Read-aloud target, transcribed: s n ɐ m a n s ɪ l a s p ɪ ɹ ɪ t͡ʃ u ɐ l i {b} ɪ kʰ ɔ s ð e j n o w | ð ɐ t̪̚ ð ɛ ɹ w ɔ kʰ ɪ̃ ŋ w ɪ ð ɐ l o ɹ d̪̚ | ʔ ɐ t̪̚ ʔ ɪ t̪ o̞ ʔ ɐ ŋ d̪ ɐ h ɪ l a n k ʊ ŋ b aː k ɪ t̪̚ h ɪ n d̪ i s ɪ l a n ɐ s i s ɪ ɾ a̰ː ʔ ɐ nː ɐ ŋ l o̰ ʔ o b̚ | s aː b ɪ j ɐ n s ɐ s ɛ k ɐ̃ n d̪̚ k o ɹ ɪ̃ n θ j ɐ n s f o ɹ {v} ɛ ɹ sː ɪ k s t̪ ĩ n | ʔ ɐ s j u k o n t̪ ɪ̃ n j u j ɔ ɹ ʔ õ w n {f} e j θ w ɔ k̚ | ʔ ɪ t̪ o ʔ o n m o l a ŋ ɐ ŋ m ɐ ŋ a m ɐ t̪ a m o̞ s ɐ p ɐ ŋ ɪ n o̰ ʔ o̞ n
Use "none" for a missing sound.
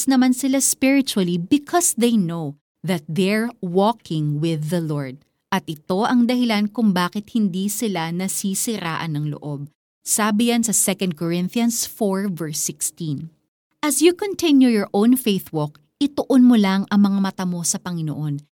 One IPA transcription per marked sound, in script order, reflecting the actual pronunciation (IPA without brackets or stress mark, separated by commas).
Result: b, v, f